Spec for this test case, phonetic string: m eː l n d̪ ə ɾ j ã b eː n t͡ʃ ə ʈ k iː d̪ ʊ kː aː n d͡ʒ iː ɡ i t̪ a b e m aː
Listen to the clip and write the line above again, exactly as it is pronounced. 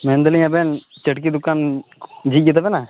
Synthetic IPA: m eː n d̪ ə l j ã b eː n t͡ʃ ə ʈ k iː d̪ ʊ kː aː n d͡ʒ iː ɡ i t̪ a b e n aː

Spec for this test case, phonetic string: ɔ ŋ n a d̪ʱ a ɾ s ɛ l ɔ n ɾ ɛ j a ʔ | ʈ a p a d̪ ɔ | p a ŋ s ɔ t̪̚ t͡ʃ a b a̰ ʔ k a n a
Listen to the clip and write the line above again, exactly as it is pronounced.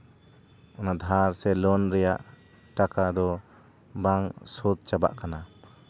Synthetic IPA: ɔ n a d̪ʱ a ɾ s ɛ l ɔ n ɾ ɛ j a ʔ | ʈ a k a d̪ ɔ | b a ŋ s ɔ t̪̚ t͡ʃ a b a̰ ʔ k a n a

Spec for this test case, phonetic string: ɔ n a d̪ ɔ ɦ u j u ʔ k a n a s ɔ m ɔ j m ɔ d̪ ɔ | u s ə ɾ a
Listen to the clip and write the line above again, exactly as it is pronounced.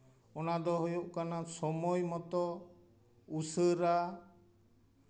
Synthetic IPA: ɔ n a d̪ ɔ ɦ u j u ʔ k a n a s ɔ m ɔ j m ɔ t̪ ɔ | u s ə ɾ a

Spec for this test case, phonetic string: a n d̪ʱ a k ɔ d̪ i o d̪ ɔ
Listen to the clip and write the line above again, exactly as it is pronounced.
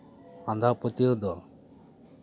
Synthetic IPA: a n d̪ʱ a p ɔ t̪ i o d̪ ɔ

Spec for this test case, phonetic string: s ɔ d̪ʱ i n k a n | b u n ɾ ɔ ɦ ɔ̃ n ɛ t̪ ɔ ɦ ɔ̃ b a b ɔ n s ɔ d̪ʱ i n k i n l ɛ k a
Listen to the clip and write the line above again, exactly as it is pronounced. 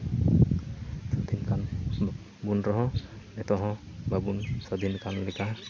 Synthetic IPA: s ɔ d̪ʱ i n k a n | b u n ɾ ɔ ɦ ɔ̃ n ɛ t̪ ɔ ɦ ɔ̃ b a b u n s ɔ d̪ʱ i n k a n l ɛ k a

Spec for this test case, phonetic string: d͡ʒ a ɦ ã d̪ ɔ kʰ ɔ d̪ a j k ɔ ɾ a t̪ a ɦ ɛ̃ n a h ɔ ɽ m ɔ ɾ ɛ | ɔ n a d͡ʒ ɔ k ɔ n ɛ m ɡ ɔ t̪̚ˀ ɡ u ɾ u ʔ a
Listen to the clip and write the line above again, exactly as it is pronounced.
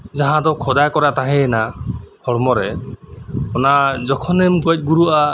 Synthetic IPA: d͡ʒ a ɦ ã d̪ ɔ kʰ ɔ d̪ a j k ɔ ɾ a t̪ a ɦ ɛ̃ n a h ɔ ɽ m ɔ ɾ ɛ | ɔ n a d͡ʒ ɔ kʰ ɔ n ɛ m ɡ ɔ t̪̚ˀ ɡ u ɾ u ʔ a

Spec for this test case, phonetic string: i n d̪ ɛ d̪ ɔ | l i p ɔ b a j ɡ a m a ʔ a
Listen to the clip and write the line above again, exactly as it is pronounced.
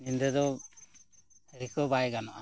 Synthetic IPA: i n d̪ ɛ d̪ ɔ | ɾ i k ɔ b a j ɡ a n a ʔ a

